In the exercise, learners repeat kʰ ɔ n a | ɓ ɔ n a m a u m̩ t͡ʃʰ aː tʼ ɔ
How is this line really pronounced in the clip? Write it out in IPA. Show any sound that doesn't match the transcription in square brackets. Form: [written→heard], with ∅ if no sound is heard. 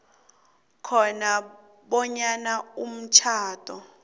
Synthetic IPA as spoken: kʰ ɔ n a | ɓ ɔ [n→ɲ] a [m→n] a u m̩ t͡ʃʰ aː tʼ ɔ